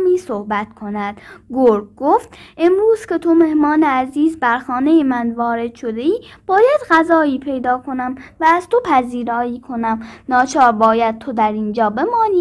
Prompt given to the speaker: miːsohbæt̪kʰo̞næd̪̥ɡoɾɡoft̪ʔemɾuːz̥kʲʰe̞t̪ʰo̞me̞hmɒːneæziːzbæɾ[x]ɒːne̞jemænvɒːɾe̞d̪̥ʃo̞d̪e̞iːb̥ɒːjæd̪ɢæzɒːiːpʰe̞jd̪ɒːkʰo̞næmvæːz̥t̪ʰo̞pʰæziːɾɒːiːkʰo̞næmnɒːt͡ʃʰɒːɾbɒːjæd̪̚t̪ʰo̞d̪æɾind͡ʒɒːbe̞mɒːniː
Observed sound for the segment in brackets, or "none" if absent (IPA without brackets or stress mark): x